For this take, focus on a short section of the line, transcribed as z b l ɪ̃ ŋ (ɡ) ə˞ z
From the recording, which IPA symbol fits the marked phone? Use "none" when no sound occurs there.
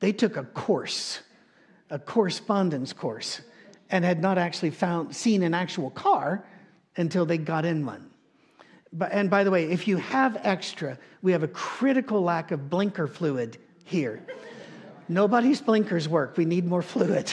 k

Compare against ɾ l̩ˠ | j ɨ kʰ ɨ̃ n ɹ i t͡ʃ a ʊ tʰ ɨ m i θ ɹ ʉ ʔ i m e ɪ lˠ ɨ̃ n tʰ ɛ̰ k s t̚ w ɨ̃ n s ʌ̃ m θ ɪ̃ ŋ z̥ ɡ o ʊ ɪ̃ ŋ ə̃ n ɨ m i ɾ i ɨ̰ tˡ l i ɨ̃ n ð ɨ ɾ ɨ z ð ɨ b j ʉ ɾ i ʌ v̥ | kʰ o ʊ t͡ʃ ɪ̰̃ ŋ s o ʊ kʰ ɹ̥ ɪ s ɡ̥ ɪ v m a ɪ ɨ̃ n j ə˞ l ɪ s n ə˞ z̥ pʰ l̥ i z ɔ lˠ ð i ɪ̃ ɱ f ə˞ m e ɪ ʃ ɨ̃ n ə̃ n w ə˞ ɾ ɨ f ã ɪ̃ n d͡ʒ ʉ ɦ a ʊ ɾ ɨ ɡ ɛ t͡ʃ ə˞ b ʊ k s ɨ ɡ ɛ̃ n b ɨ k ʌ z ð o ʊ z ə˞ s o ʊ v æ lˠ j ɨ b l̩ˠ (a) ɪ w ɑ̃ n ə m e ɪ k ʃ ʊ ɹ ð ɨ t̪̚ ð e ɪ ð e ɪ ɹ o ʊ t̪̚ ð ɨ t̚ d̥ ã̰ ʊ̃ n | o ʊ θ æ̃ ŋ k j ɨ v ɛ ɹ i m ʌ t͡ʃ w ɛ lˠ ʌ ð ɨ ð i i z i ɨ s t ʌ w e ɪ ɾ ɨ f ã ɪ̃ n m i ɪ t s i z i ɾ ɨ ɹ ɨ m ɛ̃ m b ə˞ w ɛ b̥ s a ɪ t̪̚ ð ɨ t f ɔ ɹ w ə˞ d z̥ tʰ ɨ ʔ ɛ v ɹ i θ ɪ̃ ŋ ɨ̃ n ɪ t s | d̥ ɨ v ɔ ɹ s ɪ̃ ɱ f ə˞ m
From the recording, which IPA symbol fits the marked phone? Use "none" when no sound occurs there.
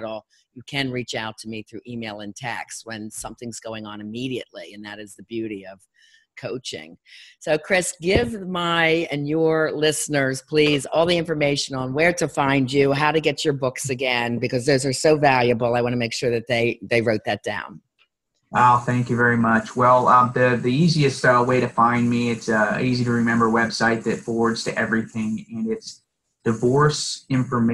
a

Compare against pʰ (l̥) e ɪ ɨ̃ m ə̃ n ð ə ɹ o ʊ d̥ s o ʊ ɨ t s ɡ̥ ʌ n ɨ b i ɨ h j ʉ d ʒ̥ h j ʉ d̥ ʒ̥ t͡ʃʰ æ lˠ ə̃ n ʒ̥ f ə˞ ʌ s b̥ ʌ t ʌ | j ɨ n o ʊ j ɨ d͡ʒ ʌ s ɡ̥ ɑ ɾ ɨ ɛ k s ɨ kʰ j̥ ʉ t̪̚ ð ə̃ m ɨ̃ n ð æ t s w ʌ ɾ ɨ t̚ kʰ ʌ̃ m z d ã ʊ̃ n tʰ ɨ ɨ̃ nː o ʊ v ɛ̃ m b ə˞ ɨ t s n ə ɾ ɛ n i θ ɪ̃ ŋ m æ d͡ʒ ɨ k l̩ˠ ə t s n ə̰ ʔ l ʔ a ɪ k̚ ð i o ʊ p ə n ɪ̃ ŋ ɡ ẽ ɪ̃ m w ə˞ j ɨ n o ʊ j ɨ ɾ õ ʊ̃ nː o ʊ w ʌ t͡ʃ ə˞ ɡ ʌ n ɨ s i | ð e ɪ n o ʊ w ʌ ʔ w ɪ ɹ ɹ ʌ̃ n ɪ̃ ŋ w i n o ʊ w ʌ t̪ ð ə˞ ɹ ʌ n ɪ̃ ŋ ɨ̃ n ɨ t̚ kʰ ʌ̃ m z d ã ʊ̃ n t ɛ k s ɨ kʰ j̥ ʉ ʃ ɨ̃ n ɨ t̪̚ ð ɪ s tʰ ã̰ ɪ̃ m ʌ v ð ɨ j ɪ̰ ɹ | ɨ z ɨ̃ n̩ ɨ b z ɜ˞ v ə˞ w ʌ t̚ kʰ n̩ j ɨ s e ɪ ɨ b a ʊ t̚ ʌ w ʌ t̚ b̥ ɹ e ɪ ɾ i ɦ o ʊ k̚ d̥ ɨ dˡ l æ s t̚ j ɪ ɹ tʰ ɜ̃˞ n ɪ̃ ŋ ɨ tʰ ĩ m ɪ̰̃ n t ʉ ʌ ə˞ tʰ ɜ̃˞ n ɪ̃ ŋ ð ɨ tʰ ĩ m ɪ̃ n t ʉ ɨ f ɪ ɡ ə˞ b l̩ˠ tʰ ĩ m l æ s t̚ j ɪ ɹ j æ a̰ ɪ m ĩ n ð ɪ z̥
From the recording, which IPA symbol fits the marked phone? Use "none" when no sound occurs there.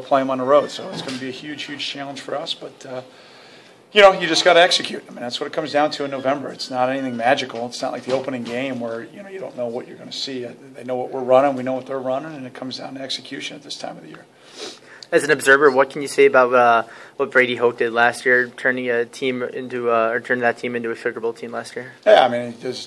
l̥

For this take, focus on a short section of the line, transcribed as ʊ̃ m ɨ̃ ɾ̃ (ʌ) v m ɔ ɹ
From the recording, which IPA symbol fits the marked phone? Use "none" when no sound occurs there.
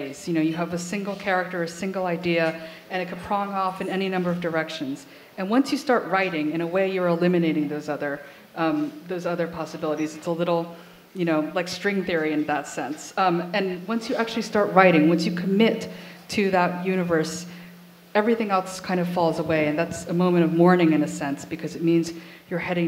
ʌ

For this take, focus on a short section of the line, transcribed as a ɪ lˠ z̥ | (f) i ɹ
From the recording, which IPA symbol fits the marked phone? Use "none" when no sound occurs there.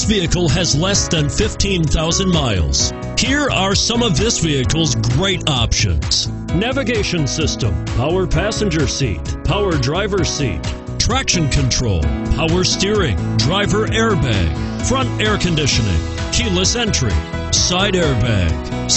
h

